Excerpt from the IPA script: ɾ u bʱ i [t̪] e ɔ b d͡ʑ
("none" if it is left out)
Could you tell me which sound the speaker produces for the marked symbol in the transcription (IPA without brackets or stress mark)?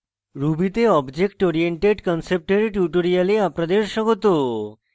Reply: t̪